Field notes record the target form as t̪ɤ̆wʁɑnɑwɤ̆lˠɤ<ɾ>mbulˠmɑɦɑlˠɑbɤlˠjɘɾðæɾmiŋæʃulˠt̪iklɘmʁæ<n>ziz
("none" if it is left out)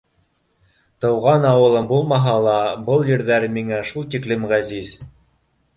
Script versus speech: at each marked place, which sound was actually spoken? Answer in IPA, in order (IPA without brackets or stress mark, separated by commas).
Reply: none, none